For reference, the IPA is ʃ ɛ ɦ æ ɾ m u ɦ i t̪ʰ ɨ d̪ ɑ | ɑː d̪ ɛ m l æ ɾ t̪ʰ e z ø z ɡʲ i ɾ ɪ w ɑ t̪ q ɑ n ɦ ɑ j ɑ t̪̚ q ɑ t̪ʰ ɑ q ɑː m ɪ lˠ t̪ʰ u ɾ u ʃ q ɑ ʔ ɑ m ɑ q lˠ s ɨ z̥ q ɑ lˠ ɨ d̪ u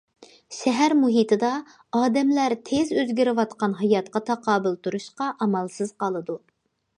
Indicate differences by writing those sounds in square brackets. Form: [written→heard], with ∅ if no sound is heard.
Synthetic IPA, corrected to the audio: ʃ ɛ ɦ æ ɾ m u ɦ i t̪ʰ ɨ d̪ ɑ | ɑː d̪ ɛ m l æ ɾ t̪ʰ e z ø z ɡʲ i ɾ ɪ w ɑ t̪ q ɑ n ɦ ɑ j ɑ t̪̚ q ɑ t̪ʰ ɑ q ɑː [m→b] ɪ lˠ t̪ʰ u ɾ u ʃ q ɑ ʔ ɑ m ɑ [q→∅] lˠ s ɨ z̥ q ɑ lˠ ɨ d̪ u